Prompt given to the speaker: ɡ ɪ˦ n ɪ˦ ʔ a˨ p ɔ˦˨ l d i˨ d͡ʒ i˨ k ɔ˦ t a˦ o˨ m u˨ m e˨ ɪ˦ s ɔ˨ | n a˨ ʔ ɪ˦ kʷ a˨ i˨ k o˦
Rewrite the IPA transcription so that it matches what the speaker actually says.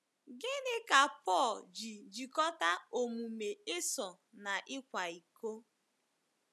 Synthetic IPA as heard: ɡ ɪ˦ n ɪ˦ k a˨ p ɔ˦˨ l d͡ʒ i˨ d͡ʒ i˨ k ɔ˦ t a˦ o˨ m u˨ m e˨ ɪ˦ s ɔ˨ | n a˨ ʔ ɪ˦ kʷ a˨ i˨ k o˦

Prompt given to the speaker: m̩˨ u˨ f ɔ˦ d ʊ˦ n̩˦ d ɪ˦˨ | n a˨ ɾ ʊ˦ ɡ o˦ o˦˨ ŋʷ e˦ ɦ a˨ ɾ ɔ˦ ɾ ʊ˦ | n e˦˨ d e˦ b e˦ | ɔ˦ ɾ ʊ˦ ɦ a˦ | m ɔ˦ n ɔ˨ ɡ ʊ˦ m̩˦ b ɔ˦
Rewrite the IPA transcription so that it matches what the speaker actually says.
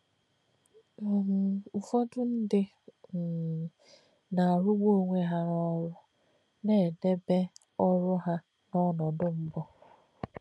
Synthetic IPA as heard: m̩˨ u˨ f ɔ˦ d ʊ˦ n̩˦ d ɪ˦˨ | n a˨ ɾ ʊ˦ ɡ͡b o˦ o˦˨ ŋʷ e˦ ɦ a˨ ɾ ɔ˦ ɾ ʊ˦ | n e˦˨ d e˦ b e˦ | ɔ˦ ɾ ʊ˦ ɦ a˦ | n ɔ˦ n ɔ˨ d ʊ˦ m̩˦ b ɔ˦

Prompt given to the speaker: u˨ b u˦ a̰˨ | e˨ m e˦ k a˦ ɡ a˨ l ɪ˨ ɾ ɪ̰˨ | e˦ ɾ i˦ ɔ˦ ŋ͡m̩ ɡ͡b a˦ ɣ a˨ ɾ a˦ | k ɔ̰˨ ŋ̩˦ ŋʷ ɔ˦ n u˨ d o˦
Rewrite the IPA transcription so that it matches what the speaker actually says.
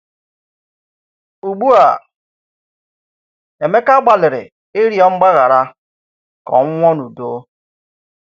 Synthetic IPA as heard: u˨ ɡ͡b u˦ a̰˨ | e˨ m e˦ k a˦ ɡ͡b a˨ l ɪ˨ ɾ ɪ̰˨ | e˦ ɾ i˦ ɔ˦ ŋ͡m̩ ɡ͡b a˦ ɣ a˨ ɾ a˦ | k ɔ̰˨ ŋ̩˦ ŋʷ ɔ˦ n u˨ d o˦

